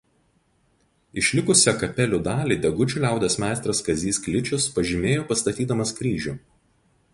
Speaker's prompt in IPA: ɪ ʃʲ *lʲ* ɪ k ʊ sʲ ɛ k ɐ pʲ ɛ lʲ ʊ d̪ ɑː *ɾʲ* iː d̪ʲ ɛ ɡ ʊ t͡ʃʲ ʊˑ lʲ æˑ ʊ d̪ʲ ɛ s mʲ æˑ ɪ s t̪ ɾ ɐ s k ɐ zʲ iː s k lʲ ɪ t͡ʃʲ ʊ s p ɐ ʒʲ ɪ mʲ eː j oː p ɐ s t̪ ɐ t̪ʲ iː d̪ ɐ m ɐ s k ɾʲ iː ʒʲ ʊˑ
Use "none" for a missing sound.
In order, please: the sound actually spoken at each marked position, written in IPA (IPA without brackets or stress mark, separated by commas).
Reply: lʲ, lʲ